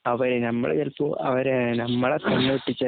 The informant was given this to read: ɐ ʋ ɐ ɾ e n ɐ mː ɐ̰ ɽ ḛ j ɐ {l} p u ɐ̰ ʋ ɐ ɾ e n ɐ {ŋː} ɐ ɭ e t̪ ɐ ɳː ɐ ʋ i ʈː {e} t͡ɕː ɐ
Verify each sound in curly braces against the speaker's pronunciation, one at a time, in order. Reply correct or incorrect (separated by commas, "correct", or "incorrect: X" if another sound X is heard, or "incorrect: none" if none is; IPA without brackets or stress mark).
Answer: correct, incorrect: mː, incorrect: i